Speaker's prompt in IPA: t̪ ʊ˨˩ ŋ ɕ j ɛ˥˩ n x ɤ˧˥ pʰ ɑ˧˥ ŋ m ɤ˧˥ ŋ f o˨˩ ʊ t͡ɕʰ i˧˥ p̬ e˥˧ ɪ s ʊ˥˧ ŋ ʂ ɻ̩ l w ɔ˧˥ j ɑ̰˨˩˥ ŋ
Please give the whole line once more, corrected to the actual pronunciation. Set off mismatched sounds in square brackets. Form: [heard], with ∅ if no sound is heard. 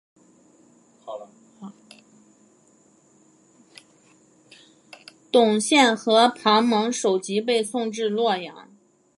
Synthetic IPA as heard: t̪ ʊ˨˩ ŋ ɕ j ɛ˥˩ n x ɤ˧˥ pʰ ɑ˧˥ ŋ m ɤ˧˥ ŋ [ʂ] o˨˩ ʊ [t͡ɕ] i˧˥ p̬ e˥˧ ɪ s ʊ˥˧ ŋ [ʈ͡ʂ] ɻ̩ l w [ɔ˥˩] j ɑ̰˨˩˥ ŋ

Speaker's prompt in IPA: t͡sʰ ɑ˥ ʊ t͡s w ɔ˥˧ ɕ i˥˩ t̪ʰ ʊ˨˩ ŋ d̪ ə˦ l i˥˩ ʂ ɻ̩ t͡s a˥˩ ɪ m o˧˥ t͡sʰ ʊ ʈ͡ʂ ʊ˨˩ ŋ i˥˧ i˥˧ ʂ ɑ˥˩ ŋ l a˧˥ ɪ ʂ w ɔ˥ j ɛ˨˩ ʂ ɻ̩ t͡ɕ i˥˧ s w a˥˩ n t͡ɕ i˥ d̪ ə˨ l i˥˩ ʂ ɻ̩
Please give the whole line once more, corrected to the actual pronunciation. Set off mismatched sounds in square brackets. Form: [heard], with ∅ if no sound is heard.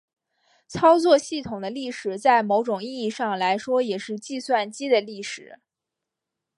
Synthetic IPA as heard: t͡sʰ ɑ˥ ʊ t͡s w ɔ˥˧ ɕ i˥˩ t̪ʰ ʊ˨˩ ŋ d̪ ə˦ l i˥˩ ʂ ɻ̩ t͡s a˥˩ ɪ m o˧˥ [∅] ʊ ʈ͡ʂ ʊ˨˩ ŋ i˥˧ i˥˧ ʂ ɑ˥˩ ŋ l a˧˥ ɪ ʂ w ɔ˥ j ɛ˨˩ ʂ ɻ̩ t͡ɕ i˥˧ s w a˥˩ n t͡ɕ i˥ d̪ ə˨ l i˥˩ ʂ ɻ̩

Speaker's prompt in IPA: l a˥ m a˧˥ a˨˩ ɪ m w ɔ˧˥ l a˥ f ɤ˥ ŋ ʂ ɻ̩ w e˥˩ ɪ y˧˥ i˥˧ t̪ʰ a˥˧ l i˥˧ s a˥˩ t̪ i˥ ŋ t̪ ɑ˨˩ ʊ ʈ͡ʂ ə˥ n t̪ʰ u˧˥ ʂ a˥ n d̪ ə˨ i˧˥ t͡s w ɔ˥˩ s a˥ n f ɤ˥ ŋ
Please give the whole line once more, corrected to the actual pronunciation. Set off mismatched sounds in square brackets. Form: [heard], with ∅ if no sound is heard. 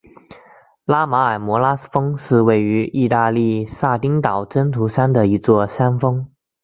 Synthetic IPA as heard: l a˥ m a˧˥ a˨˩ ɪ m w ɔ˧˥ l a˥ f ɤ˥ ŋ ʂ ɻ̩ w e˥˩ ɪ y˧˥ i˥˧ [t̪] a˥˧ l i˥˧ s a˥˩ t̪ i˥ ŋ t̪ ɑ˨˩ ʊ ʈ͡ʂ ə˥ n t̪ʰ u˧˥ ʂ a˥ n d̪ ə˨ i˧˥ t͡s w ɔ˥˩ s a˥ n f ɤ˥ ŋ

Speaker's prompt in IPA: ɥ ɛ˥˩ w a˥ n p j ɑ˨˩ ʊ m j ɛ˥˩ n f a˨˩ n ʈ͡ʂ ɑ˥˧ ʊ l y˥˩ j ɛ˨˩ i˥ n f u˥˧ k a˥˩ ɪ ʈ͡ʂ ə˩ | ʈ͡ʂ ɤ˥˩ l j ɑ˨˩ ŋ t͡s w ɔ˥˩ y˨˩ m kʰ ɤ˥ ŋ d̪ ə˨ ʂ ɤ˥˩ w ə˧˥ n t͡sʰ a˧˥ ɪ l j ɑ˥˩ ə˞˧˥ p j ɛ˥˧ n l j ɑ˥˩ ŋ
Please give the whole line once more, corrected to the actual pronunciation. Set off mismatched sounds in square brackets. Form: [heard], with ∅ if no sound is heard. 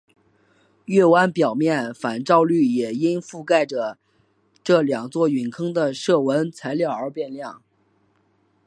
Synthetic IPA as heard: ɥ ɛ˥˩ w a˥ n p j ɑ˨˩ ʊ m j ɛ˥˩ n f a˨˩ n ʈ͡ʂ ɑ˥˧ ʊ l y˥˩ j ɛ˨˩ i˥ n f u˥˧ k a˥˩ ɪ ʈ͡ʂ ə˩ | ʈ͡ʂ ɤ˥˩ l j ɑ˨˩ ŋ t͡s w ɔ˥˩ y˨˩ [n] kʰ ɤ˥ ŋ d̪ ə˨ ʂ ɤ˥˩ w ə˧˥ n t͡sʰ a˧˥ ɪ l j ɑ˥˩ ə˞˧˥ p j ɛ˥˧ n l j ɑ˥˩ ŋ

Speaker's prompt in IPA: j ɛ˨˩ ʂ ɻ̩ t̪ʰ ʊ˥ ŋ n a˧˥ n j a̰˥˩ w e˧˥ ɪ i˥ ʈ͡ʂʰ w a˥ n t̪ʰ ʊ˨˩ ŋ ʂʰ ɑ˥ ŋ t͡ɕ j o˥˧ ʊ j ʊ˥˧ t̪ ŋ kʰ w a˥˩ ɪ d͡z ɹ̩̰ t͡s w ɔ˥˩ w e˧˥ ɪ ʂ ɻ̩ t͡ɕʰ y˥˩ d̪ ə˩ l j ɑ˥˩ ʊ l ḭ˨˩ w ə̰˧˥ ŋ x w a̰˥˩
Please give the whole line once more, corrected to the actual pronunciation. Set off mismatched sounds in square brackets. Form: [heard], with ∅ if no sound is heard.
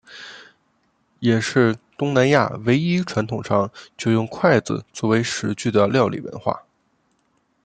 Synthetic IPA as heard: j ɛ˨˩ ʂ ɻ̩ [t̪] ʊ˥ ŋ n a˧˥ n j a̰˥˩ w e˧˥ ɪ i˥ ʈ͡ʂʰ w [a˧˥] n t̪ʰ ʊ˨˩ ŋ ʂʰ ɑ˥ ŋ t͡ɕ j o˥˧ ʊ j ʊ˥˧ [∅] ŋ kʰ w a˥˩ ɪ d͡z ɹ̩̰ t͡s w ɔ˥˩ w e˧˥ ɪ ʂ ɻ̩ [t͡ɕ] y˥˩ d̪ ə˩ l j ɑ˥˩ ʊ l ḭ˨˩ w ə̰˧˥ [n] x w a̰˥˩

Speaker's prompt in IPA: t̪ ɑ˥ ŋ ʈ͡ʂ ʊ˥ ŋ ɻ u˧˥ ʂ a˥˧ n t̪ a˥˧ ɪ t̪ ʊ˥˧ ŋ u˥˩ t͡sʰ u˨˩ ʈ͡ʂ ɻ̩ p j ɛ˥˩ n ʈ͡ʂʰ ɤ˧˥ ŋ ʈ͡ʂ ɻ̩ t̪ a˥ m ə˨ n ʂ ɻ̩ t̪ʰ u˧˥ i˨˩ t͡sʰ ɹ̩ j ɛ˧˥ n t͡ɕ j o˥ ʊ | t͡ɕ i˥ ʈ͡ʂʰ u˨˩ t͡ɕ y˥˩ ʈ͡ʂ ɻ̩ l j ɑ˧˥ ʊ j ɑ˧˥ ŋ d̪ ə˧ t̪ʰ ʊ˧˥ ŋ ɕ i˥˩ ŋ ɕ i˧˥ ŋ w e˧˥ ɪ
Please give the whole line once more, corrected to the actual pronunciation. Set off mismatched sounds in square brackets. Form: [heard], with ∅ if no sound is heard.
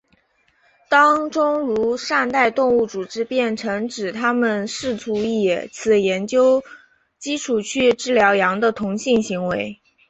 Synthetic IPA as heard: t̪ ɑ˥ ŋ ʈ͡ʂ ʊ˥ ŋ ɻ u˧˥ ʂ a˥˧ n t̪ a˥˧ ɪ t̪ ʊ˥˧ ŋ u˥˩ [t͡s] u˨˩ ʈ͡ʂ ɻ̩ p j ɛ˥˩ n ʈ͡ʂʰ ɤ˧˥ ŋ ʈ͡ʂ ɻ̩ [t̪ʰ] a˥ m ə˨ n ʂ ɻ̩ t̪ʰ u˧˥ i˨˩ t͡sʰ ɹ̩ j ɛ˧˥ n t͡ɕ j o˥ ʊ | t͡ɕ i˥ ʈ͡ʂʰ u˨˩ [t͡ɕʰ] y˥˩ ʈ͡ʂ ɻ̩ l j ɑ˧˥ ʊ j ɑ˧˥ ŋ d̪ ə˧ t̪ʰ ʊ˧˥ ŋ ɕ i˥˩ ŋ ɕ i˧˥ ŋ w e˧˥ ɪ

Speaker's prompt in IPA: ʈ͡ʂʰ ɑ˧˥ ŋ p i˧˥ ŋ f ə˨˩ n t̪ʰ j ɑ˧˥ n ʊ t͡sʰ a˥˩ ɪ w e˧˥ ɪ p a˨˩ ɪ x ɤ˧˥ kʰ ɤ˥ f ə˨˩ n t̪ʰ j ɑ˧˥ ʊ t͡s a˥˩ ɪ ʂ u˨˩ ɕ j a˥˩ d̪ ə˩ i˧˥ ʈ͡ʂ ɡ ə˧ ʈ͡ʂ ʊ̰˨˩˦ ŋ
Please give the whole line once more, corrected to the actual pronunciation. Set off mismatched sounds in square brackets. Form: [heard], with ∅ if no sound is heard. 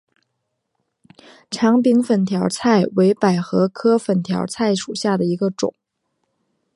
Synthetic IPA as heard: ʈ͡ʂʰ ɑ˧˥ ŋ p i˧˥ ŋ f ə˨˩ n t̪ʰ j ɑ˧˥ [∅] ʊ t͡sʰ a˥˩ ɪ w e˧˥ ɪ p a˨˩ ɪ x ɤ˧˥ kʰ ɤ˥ f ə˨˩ n t̪ʰ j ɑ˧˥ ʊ [t͡sʰ] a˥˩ ɪ ʂ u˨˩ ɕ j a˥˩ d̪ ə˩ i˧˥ [∅] ɡ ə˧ ʈ͡ʂ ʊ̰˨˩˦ ŋ

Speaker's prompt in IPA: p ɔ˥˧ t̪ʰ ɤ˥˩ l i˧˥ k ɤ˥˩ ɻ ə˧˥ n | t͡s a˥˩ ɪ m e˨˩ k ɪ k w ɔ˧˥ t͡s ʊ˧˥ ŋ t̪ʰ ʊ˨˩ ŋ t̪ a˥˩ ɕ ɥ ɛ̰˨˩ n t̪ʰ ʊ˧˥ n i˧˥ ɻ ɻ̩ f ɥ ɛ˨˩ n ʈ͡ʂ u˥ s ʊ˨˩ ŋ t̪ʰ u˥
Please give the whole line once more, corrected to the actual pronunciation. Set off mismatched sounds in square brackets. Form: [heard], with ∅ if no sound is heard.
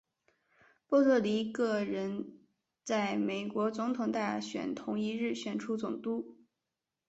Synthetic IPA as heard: p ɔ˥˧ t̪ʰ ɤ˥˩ l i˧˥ k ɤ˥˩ ɻ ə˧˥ n | t͡s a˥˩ ɪ m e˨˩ [∅] ɪ k w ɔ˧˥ t͡s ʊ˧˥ ŋ t̪ʰ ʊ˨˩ ŋ t̪ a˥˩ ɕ ɥ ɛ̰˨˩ n t̪ʰ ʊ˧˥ [ŋ] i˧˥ ɻ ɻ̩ [ɕ] ɥ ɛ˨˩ n [ʈ͡ʂʰ] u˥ [t͡s] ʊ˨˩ ŋ [t̪] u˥

